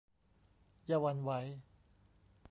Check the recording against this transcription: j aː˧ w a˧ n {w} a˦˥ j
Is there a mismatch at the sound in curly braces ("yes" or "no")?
no